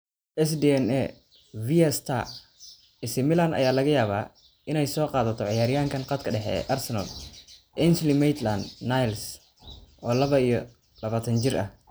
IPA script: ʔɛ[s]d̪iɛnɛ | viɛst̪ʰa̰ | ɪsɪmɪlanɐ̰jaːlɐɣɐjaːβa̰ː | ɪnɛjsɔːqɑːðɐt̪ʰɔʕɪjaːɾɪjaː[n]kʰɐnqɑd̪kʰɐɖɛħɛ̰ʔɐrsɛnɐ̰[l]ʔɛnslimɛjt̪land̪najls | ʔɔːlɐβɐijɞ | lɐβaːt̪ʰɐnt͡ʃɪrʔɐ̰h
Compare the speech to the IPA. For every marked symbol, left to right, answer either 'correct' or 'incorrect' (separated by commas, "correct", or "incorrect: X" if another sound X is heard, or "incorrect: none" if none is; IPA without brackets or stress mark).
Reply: correct, incorrect: ŋ, correct